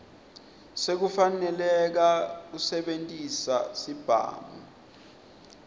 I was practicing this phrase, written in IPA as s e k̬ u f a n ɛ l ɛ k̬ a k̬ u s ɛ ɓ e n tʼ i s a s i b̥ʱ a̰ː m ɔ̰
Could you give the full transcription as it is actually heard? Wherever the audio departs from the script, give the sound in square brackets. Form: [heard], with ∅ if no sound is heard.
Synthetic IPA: s e k̬ u f a n ɛ l ɛ k̬ a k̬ u s ɛ ɓ e n tʼ i s a s i b̥ʱ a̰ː m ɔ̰

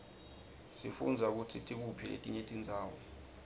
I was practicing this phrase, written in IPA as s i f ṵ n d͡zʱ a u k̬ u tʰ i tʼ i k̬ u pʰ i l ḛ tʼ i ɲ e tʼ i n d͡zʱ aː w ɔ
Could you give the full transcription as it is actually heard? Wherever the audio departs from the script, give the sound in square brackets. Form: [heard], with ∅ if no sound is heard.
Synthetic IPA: s i f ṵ n d͡zʱ a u k̬ u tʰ i tʼ i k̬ u pʰ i l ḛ tʼ i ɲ e tʼ i n d͡zʱ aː w ɔ

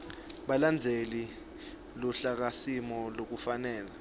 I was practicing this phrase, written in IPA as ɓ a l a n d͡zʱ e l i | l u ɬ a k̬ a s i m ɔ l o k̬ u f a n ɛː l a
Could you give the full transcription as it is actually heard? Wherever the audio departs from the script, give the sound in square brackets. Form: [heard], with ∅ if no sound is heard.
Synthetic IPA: ɓ a l a n d͡zʱ e l i | l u ɬ a k̬ a s i m ɔ l o k̬ u f a n ɛː l a

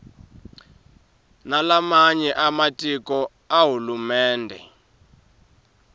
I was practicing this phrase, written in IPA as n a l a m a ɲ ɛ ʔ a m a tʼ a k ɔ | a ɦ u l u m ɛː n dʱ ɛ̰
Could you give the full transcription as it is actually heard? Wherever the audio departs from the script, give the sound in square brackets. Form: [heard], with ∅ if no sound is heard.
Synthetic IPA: n a l a m a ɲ ɛ ʔ a m a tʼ [i] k ɔ | a ɦ u l u m ɛː n dʱ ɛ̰

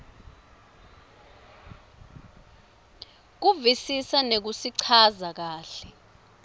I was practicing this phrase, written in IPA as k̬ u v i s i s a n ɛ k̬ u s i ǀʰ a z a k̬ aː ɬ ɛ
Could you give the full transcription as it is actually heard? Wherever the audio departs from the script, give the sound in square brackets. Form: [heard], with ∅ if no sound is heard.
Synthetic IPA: k̬ u v i s i s a n [e] k̬ u s i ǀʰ a z a k̬ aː ɬ ɛ

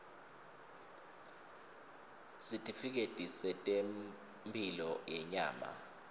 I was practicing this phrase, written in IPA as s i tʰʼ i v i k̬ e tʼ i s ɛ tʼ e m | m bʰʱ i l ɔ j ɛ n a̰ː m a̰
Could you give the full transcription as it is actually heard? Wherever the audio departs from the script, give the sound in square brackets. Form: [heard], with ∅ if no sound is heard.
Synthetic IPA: s i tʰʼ i [f] i k̬ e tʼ i s ɛ tʼ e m | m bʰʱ i l ɔ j ɛ [ɲ] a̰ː m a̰

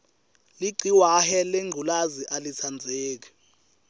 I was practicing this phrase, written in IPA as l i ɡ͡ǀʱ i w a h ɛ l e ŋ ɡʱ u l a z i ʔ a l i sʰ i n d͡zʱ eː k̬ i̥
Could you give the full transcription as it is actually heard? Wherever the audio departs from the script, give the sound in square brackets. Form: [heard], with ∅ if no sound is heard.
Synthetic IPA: l i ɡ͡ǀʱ i w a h ɛ l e ŋ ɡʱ u l a z i ʔ a l i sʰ [a] n d͡zʱ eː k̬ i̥

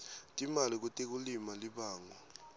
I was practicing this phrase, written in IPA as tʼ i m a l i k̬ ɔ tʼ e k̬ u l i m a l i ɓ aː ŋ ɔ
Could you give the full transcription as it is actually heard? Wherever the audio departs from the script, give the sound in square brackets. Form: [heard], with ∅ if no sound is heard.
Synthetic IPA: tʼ i m a l i k̬ [u] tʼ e k̬ u l i m a l i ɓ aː ŋ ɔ

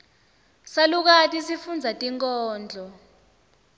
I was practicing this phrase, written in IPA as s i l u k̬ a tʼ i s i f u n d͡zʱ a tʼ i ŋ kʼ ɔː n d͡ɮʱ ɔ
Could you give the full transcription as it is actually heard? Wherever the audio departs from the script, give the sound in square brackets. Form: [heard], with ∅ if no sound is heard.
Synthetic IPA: s [a] l u k̬ a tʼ i s i f u n d͡zʱ a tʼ i ŋ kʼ ɔː n d͡ɮʱ ɔ

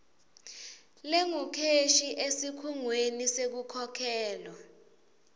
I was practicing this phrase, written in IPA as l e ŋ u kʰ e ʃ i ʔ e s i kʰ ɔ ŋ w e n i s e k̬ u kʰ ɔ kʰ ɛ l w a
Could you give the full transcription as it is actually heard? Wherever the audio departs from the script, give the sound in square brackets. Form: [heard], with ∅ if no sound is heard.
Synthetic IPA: l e ŋ u kʰ e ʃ i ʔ e s i kʰ [u] ŋ w e n i s e k̬ u kʰ ɔ kʰ [ɛː] l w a

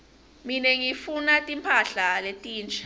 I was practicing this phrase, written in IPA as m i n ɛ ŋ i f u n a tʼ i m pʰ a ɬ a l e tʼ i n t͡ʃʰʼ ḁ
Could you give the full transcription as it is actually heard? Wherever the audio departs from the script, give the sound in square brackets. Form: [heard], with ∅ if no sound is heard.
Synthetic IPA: m i n ɛ ŋ i f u n a tʼ i m pʰ a ɬ a l e tʼ [iː] n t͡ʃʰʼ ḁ

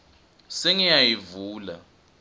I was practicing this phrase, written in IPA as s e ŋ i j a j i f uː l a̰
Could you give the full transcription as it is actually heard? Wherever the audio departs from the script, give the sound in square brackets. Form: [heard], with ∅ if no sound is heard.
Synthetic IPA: s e ŋ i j a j i [v] uː l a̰

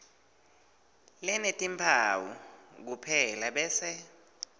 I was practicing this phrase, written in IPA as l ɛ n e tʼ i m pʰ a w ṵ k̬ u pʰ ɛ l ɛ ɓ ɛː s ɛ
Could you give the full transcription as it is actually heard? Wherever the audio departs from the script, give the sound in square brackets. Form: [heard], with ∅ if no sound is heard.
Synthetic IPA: l ɛ n e tʼ i m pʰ a w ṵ k̬ u pʰ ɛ l [a] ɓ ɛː s ɛ

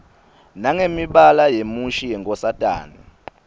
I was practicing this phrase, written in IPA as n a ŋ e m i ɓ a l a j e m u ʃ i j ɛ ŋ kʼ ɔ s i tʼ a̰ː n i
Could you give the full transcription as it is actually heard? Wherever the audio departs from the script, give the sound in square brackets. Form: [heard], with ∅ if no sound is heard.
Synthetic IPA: n a ŋ e m i ɓ a l a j e m u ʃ i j ɛ ŋ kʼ ɔ s [a] tʼ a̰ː n i

